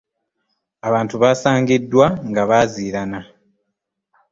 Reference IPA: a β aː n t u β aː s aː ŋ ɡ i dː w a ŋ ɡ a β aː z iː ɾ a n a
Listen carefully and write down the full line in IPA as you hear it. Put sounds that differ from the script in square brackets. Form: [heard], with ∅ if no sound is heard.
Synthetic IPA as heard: a β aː n t u β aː s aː ŋ ɡ i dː w a ŋ ɡ a β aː z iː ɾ a n a